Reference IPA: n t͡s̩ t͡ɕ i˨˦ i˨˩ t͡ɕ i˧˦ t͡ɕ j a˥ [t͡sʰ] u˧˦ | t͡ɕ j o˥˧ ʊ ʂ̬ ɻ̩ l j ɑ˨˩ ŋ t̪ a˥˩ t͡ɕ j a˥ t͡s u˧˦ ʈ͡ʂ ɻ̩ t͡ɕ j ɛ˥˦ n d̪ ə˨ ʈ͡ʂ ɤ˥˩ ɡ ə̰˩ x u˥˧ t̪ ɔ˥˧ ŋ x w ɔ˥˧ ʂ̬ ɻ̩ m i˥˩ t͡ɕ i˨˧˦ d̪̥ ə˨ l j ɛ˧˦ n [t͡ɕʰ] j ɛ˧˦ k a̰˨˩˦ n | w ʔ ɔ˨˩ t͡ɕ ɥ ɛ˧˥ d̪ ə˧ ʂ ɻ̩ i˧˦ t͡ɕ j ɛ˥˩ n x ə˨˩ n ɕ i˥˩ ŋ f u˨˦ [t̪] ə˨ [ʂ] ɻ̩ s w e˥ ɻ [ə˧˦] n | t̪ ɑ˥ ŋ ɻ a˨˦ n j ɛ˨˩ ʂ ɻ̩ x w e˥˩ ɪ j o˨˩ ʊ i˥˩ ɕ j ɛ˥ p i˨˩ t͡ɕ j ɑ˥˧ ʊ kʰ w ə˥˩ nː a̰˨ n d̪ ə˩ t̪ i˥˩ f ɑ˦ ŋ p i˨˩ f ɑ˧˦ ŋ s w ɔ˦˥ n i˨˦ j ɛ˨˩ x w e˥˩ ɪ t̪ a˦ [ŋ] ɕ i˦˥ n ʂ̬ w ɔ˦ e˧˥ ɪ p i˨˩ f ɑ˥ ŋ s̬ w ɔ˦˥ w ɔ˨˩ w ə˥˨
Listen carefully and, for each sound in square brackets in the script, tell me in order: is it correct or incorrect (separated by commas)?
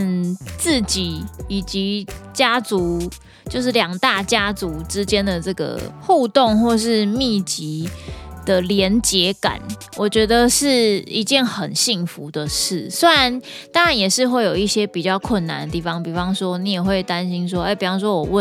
incorrect, incorrect, incorrect, correct, incorrect, incorrect